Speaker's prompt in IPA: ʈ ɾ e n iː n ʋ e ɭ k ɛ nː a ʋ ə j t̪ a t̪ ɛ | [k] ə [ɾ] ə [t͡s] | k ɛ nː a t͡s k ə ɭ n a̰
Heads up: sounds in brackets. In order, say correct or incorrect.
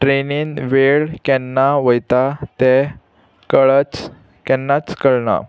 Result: correct, incorrect, correct

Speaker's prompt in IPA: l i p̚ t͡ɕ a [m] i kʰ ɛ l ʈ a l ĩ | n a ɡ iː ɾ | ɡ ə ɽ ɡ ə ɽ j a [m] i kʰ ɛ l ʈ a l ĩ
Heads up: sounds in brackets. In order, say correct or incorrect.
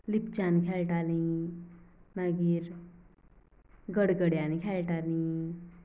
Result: incorrect, incorrect

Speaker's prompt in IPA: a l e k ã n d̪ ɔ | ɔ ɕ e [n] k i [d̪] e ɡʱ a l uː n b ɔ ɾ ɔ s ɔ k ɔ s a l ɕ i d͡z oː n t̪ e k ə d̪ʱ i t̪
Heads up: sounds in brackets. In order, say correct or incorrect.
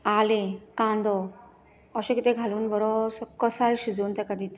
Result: incorrect, incorrect

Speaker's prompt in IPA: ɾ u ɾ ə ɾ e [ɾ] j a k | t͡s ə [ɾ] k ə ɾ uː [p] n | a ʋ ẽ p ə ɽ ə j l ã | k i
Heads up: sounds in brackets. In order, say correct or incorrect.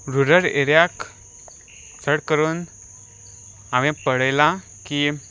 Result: correct, incorrect, incorrect

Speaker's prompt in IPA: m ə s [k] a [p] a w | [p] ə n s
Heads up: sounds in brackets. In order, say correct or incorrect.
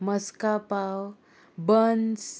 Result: correct, correct, incorrect

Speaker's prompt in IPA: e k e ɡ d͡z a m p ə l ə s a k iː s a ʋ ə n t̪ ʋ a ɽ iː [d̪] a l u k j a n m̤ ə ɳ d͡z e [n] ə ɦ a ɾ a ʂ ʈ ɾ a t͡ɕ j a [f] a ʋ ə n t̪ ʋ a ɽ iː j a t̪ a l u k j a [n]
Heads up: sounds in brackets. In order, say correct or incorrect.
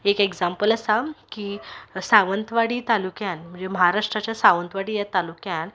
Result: incorrect, incorrect, incorrect, correct

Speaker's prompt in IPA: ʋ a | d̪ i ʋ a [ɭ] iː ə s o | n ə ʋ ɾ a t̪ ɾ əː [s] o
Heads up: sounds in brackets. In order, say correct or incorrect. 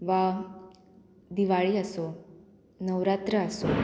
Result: correct, correct

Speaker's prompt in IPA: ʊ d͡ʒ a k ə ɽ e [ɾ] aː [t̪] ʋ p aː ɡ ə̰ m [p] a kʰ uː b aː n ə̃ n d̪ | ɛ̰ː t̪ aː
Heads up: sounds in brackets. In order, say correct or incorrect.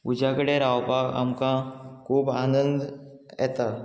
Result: correct, incorrect, incorrect

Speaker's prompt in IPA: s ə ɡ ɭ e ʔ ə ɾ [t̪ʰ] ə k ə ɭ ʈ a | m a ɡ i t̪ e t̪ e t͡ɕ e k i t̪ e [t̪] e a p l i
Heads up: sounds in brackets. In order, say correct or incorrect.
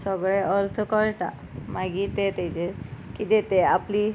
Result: correct, correct

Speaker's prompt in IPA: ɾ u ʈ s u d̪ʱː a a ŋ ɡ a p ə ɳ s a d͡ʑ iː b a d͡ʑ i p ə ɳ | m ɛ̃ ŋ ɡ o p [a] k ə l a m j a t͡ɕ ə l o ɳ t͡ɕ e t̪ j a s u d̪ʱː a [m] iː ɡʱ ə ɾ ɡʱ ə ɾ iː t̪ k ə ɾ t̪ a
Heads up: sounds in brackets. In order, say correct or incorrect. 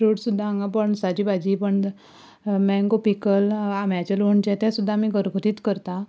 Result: incorrect, correct

